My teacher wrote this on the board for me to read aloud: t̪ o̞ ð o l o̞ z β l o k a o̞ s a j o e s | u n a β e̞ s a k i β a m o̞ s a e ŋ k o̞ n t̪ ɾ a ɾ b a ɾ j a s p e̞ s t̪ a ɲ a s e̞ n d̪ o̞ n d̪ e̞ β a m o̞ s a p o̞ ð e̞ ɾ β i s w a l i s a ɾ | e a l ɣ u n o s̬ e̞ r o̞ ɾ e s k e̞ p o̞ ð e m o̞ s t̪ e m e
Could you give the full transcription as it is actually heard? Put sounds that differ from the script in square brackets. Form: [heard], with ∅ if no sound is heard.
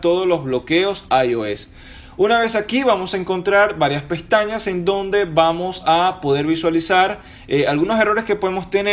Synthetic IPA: t̪ o̞ ð o l o̞ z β l o k [e] o̞ s a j o e s | u n a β e̞ s a k i β a m o̞ s a e ŋ k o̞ n t̪ ɾ a ɾ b a ɾ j a s p e̞ s t̪ a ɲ a s e̞ n d̪ o̞ n d̪ e̞ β a m o̞ s a p o̞ ð e̞ ɾ β i s w a l i s a ɾ | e a l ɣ u n o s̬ e̞ r o̞ ɾ e s k e̞ p o̞ ð e m o̞ s t̪ e [n] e